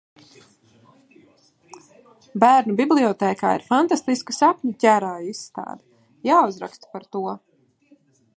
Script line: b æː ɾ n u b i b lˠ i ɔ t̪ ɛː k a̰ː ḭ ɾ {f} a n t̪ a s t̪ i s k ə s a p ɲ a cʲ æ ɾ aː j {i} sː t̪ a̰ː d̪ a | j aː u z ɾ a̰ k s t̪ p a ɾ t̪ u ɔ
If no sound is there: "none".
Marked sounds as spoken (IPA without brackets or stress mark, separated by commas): f, i